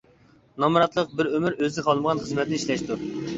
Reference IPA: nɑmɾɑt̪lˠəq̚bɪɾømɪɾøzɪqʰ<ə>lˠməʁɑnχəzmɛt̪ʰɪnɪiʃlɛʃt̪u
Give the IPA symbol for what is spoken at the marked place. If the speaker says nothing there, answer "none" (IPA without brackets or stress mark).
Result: ɑ